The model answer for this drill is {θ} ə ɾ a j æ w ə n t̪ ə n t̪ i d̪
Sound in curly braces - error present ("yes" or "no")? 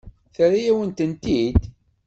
no